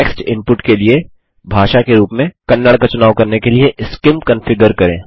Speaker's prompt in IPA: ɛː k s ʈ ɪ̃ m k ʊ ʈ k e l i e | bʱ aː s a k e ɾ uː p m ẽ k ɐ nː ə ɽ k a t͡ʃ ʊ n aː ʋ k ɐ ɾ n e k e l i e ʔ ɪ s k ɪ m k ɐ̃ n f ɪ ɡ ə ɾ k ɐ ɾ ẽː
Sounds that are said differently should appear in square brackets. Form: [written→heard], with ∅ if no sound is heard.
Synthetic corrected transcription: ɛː k s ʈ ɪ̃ m [k→p] ʊ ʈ k e l i e | bʱ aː [s→ʃ] a k e ɾ uː p m ẽ k ɐ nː ə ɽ k a t͡ʃ ʊ n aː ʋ k ɐ ɾ n e k e l i e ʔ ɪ s k ɪ m k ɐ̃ n f ɪ ɡ ə ɾ k ɐ ɾ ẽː